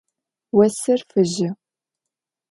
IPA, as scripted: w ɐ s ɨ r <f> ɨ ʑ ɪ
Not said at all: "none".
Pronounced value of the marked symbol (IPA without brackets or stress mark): f